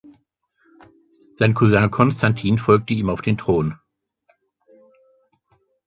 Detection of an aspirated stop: present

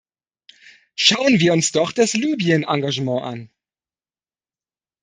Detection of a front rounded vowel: present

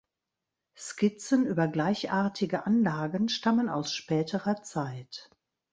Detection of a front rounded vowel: present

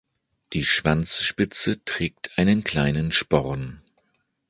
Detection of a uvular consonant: present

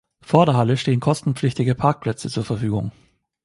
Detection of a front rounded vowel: present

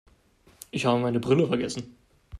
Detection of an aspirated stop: absent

